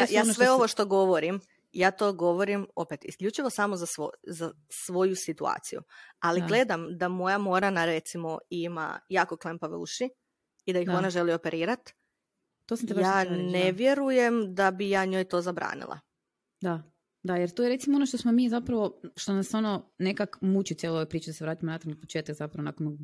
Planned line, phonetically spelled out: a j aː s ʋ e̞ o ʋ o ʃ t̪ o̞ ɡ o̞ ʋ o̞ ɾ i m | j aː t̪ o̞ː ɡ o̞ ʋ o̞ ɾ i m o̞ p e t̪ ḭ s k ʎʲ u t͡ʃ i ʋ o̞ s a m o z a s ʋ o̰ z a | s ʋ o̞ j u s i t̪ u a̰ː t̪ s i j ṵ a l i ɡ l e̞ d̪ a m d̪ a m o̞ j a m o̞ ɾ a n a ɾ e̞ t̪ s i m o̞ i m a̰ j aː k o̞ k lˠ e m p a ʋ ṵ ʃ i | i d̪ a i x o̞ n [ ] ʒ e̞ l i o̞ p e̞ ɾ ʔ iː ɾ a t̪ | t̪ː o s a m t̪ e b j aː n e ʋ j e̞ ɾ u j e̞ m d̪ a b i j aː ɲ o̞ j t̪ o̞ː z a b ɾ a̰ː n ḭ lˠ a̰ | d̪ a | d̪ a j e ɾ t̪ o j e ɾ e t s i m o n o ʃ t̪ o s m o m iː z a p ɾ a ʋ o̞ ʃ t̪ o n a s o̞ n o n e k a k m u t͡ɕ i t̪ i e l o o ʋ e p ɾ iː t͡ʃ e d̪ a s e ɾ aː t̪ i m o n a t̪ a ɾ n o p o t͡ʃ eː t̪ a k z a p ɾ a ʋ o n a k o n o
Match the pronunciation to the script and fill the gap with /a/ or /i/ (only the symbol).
a